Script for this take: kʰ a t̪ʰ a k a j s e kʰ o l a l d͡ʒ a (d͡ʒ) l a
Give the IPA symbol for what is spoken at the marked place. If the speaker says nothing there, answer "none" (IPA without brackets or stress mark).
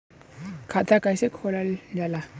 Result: none